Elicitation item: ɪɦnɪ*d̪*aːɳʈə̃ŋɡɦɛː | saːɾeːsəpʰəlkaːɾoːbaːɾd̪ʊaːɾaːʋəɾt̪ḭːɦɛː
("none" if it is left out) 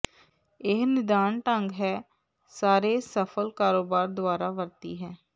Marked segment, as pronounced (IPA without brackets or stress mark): d̪